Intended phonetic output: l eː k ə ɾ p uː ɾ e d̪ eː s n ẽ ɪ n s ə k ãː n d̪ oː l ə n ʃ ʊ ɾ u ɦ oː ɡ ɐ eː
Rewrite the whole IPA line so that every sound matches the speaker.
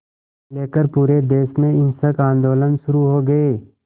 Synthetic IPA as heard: l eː k ə ɾ p uː ɾ e d̪ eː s m ẽ ɪ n s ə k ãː n d̪ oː l ə n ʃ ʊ ɾ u ɦ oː ɡ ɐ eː

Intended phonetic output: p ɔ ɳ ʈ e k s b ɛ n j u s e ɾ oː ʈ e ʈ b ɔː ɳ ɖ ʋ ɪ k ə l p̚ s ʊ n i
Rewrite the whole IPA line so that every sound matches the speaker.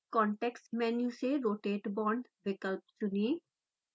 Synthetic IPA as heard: k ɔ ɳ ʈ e k s m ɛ n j u s e ɾ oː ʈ e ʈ b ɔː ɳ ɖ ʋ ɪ k ə l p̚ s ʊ n i

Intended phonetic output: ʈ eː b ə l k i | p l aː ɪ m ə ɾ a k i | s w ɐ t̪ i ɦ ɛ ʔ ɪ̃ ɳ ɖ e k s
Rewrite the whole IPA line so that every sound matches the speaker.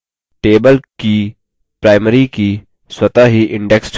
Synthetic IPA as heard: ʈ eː b ə l k i | p ɾ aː ɪ m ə ɾ i k i | s w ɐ t̪ a ɦ i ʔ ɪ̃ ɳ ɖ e k s

